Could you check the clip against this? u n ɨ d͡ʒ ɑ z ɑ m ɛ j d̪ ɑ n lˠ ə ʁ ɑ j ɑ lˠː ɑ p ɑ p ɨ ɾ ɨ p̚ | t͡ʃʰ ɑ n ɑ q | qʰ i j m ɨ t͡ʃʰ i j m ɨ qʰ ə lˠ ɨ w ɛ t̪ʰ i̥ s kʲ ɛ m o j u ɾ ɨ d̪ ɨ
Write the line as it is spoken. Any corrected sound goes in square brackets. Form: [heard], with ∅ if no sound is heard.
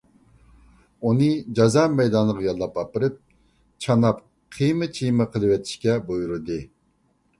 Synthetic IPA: u n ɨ d͡ʒ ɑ z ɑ m ɛ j d̪ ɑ n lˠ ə ʁ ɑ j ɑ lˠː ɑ p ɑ p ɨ ɾ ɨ p̚ | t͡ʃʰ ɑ n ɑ [p] | qʰ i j m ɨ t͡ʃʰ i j m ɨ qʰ ə lˠ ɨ w ɛ t̪ʰ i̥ [ʃ] kʲ ɛ [b] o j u ɾ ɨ d̪ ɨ